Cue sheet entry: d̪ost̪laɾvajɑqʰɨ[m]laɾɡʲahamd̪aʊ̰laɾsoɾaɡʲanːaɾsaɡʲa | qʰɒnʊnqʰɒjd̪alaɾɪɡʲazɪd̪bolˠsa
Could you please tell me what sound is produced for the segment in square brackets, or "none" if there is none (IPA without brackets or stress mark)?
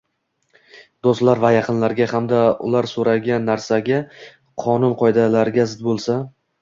n